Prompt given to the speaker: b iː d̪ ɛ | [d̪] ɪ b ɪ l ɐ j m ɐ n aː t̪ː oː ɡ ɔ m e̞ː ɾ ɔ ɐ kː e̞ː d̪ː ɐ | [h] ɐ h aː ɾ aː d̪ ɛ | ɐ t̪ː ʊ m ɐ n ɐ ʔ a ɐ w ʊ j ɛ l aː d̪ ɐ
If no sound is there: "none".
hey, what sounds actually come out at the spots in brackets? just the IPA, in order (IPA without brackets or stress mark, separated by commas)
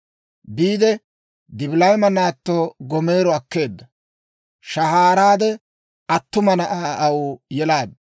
d̪, ʃ